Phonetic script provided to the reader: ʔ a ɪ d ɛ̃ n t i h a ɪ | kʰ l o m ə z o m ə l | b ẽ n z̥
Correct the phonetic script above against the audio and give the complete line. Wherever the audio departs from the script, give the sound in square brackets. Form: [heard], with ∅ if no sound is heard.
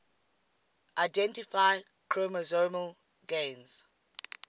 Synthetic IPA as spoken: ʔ a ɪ d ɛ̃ n t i [f] a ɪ | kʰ [ɹ] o m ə z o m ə l | [ɡ] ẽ n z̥